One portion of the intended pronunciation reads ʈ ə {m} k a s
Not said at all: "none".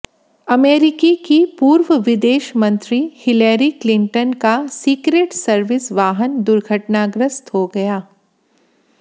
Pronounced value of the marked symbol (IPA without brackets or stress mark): n